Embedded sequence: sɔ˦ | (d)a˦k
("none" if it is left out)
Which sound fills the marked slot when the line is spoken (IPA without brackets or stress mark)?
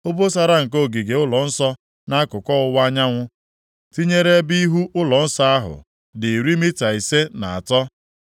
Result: n